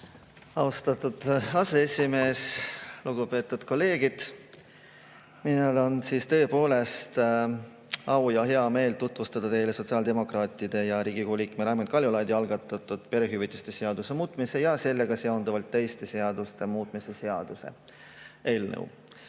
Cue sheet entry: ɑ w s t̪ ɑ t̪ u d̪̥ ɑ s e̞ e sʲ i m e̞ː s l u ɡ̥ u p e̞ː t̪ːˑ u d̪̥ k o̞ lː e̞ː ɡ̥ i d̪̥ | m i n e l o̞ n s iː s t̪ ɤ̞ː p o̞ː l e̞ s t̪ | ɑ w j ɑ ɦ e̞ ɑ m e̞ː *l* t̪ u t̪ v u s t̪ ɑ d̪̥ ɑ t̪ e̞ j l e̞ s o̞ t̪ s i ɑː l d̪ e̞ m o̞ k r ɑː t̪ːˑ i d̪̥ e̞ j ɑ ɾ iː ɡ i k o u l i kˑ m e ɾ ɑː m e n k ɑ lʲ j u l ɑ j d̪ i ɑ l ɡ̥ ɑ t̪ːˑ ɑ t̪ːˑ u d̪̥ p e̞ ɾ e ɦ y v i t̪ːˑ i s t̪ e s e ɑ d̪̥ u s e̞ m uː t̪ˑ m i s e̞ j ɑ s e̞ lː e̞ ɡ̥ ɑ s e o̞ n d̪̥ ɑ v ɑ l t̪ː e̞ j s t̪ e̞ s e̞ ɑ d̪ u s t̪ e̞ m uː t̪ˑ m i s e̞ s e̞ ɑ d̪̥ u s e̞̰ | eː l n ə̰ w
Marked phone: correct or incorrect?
correct